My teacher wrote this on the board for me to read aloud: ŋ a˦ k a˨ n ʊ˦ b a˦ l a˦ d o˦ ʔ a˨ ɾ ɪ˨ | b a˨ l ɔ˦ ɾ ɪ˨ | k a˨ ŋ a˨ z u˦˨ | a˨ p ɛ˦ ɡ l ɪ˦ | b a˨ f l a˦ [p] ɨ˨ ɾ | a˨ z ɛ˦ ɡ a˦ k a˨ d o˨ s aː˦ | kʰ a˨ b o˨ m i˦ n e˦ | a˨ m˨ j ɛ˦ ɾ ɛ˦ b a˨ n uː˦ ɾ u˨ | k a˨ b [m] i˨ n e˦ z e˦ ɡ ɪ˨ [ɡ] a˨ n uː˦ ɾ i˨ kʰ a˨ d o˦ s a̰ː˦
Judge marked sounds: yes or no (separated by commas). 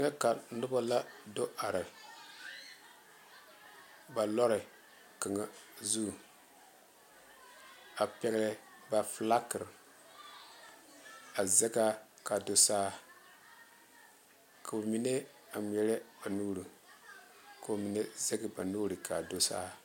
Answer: no, yes, no